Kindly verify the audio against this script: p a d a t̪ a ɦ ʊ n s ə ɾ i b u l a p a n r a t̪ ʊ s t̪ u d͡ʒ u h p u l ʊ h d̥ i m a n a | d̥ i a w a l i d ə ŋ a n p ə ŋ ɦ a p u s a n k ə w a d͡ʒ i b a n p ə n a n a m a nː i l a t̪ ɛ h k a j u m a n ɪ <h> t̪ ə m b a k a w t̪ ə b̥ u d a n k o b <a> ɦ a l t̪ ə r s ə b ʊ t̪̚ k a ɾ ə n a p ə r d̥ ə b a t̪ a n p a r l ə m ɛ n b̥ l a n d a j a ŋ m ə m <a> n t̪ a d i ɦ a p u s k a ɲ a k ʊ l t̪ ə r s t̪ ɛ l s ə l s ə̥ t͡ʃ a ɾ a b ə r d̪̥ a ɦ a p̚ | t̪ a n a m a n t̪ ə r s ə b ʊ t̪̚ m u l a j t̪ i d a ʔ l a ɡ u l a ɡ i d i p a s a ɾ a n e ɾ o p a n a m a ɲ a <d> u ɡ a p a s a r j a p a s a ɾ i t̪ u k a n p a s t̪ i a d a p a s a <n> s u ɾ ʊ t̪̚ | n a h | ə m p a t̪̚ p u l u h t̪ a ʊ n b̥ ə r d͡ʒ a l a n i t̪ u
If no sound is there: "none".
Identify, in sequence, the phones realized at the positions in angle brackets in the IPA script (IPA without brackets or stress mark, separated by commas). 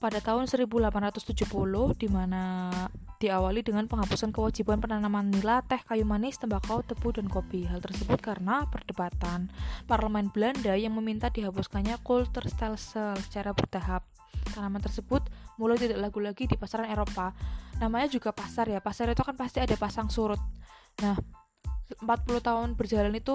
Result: s, i, i, d͡ʒ, ŋ